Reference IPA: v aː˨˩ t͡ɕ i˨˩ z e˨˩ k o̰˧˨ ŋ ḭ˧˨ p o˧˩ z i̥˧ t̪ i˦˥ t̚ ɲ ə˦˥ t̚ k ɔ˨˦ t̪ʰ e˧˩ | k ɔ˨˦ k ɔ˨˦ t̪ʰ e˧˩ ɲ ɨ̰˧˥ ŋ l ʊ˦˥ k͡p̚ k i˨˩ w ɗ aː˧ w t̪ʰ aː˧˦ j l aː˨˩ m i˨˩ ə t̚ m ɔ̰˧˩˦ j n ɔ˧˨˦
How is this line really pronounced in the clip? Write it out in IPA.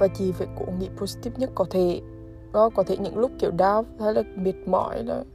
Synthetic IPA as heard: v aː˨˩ t͡ɕ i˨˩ v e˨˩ k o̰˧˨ ŋ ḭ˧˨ p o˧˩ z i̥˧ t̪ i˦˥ p̚ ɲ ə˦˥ t̚ k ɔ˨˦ t̪ʰ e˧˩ | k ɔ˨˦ k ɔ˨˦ t̪ʰ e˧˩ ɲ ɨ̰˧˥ ŋ l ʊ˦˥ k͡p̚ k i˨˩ w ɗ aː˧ w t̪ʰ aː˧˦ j l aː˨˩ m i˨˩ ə t̚ m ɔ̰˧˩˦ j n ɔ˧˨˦